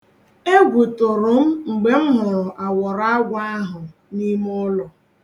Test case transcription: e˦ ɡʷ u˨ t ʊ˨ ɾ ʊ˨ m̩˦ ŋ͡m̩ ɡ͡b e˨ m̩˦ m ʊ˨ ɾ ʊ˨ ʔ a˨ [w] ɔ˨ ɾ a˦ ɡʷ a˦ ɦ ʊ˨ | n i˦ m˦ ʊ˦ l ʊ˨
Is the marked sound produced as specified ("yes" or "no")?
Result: yes